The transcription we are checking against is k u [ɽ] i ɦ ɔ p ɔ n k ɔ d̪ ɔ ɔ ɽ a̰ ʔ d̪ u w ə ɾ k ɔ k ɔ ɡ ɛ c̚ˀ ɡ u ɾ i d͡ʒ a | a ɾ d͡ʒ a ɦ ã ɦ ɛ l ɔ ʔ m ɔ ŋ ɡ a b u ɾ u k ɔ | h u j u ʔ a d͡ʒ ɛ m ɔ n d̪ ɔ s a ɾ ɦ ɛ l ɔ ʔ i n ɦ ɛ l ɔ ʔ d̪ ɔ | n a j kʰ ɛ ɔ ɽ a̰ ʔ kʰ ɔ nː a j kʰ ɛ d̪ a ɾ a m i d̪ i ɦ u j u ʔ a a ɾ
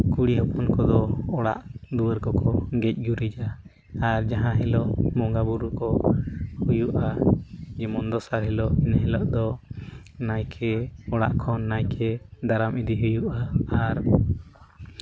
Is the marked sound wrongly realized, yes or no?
no